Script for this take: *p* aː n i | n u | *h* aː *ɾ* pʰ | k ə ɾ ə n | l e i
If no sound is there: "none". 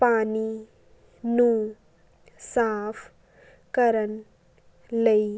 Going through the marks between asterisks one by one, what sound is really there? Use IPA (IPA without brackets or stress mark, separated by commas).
p, s, none